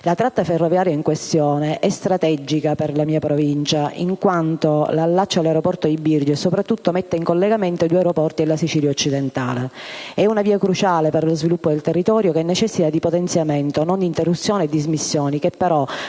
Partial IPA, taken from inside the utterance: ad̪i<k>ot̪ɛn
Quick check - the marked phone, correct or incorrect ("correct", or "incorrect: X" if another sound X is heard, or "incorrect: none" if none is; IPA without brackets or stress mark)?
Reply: incorrect: p